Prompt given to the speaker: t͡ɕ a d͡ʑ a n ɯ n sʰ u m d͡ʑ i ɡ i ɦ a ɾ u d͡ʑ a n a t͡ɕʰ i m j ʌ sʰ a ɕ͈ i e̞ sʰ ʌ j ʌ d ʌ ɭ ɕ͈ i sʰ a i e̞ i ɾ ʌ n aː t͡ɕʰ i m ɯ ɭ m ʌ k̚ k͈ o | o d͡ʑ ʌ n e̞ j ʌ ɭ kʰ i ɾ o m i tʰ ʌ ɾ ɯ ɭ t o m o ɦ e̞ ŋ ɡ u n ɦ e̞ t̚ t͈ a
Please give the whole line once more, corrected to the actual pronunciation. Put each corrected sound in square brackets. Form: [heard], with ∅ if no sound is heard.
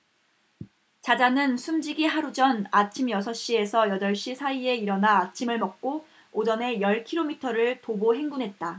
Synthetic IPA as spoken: t͡ɕ a d͡ʑ a n ɯ n sʰ u m d͡ʑ i ɡ i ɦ a ɾ u d͡ʑ [ʌ] n a t͡ɕʰ i m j ʌ sʰ [ʌ] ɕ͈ i e̞ sʰ ʌ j ʌ d ʌ ɭ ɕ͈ i sʰ a i e̞ i ɾ ʌ n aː t͡ɕʰ i m ɯ ɭ m ʌ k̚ k͈ o | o d͡ʑ ʌ n e̞ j ʌ ɭ kʰ i ɾ o m i tʰ ʌ ɾ ɯ ɭ t o [b] o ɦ e̞ ŋ ɡ u n ɦ e̞ t̚ t͈ a